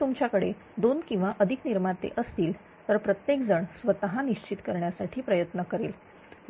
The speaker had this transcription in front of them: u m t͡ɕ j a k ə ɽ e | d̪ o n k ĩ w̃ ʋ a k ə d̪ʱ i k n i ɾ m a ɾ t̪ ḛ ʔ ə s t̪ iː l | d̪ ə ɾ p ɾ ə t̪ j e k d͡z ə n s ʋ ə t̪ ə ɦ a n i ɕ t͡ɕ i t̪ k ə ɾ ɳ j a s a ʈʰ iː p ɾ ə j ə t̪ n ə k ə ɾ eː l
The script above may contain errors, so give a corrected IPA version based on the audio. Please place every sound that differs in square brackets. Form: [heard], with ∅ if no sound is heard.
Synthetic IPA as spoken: u m t͡ɕ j a k ə ɽ e | d̪ o n k ĩ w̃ ʋ a [ʔ] ə d̪ʱ i k n i ɾ m a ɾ t̪ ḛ ʔ ə s t̪ iː l | [t̪] ə ɾ p ɾ ə t̪ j e k d͡z ə [ɳ] s ʋ ə t̪ ə ɦ a n i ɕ t͡ɕ i t̪ k ə ɾ ɳ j a s a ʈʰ iː p ɾ ə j ə t̪ n ə k ə ɾ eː l